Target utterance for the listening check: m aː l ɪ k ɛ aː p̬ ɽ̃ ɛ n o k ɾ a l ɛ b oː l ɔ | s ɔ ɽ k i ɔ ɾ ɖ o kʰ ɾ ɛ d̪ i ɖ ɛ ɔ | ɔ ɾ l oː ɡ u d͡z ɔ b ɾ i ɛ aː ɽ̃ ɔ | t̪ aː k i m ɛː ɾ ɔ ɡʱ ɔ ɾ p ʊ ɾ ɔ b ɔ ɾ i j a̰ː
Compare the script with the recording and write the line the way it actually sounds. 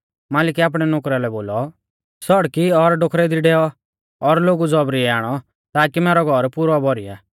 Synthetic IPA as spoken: m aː l ɪ k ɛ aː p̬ ɽ̃ ɛ n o k ɾ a l ɛ b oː l ɔ | s ɔ ɽ k i ɔ ɾ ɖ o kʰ ɾ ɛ d̪ i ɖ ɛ ɔ | ɔ ɾ l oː ɡ u d͡z ɔ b ɾ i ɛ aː ɽ̃ ɔ | t̪ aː k i m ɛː ɾ ɔ ɡʱ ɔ ɾ p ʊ ɾ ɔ b ɔ ɾ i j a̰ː